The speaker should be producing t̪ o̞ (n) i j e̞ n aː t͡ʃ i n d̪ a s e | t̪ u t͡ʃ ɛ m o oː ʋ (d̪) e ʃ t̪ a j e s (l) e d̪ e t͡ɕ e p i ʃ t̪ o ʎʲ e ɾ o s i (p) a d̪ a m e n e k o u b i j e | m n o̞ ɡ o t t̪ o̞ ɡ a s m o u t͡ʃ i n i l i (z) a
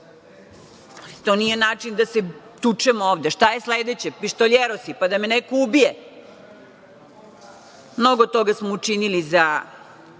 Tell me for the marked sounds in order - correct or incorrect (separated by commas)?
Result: correct, correct, correct, correct, correct